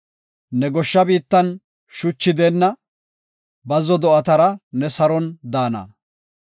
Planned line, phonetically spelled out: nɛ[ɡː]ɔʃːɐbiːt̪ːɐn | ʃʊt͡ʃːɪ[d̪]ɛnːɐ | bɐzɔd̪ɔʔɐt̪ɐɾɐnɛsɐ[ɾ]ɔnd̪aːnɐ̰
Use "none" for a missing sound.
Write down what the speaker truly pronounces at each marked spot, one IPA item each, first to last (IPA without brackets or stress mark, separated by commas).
ɡ, d̪, ɾ